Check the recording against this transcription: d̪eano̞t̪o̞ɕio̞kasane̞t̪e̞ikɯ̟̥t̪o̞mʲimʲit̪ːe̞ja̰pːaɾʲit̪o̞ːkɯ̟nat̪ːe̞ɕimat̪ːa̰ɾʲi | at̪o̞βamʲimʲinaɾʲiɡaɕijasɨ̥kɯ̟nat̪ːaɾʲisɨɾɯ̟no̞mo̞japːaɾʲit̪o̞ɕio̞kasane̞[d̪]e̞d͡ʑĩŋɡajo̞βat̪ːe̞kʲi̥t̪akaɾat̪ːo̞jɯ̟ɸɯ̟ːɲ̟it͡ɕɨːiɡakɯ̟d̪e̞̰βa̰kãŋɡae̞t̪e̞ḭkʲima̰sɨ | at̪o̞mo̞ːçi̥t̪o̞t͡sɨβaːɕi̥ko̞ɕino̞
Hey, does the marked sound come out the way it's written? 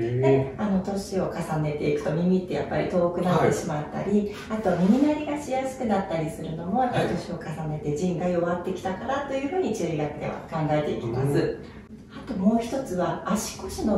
no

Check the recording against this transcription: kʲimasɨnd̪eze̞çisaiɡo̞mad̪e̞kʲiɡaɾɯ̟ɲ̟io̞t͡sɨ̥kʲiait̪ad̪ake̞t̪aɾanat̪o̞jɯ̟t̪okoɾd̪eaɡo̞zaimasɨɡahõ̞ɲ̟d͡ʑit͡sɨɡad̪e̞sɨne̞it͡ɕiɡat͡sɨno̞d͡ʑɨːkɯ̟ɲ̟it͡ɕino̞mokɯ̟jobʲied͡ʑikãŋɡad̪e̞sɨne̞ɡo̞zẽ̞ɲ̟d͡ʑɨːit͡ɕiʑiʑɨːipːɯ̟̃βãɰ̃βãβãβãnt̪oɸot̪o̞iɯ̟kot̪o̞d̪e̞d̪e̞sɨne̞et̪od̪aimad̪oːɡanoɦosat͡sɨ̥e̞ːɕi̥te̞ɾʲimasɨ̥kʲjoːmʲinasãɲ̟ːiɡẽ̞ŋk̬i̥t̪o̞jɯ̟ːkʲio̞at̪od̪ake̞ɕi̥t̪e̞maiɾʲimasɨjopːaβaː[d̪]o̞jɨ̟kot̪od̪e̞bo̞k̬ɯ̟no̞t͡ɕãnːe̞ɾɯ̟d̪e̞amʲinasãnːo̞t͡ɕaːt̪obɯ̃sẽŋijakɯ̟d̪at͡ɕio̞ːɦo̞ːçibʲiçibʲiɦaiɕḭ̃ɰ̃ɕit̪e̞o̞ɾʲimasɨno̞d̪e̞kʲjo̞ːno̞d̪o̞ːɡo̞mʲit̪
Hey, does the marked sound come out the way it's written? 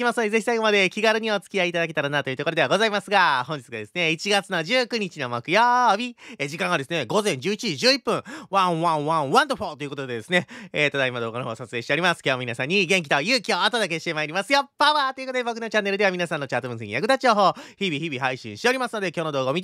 no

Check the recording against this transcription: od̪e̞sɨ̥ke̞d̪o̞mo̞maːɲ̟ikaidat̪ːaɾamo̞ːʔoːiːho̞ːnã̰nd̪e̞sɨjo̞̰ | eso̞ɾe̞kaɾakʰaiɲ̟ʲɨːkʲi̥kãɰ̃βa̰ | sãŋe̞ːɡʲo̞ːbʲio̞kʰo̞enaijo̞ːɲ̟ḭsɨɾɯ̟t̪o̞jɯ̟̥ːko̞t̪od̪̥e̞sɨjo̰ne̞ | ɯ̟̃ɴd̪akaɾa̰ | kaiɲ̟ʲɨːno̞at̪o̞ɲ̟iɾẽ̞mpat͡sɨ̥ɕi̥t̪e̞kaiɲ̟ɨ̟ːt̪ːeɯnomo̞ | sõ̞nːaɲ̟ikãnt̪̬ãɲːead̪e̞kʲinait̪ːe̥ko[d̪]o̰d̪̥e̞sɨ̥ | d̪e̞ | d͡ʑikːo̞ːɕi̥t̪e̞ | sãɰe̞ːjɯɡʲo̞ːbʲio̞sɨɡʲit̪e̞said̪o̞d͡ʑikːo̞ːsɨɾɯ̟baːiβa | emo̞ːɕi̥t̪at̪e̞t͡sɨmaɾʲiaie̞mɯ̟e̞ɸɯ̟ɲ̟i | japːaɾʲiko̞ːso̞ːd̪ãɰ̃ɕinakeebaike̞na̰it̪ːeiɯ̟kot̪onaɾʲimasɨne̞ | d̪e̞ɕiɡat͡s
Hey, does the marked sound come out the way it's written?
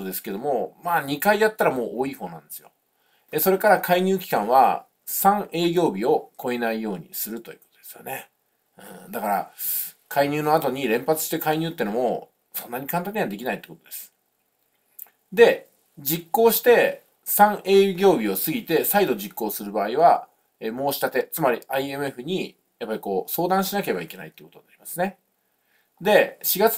no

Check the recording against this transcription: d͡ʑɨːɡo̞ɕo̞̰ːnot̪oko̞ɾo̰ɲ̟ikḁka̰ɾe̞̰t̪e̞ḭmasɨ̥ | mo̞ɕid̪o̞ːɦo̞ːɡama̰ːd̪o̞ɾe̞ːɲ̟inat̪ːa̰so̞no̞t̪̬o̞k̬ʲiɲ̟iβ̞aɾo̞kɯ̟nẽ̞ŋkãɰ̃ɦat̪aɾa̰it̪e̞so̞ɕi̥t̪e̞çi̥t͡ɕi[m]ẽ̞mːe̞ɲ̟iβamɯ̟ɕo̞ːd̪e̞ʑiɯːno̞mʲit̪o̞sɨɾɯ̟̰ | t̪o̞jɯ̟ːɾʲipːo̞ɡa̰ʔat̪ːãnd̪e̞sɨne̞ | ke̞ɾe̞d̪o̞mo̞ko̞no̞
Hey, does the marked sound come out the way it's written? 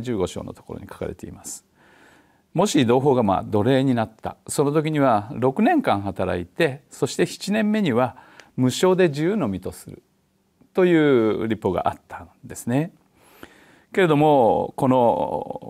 no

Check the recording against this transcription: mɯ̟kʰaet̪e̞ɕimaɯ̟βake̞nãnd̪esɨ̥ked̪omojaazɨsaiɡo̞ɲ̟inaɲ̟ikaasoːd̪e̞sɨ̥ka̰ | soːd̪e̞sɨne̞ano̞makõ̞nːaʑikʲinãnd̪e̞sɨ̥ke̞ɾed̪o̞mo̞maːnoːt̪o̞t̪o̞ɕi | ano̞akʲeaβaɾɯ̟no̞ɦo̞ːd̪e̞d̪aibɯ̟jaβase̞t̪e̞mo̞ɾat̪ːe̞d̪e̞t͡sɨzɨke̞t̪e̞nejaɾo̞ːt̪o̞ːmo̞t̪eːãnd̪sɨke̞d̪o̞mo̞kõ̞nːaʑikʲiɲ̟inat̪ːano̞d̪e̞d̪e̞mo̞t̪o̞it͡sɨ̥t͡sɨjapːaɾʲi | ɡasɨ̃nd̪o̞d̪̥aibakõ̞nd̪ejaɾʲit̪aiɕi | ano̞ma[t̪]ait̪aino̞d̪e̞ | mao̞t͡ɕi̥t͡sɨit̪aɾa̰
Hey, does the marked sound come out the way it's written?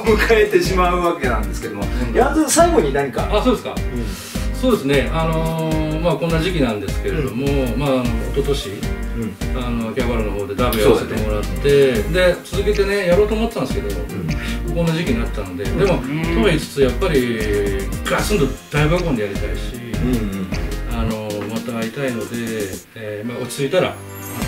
yes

